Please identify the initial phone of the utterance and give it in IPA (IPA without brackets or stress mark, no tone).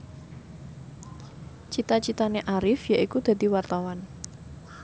t͡ʃ